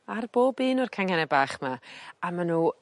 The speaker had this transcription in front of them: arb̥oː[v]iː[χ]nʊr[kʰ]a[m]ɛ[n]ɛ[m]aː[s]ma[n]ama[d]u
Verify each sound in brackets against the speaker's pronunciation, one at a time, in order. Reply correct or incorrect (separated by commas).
incorrect, incorrect, correct, incorrect, correct, incorrect, incorrect, incorrect, incorrect